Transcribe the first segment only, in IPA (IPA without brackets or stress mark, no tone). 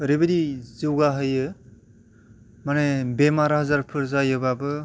ɾ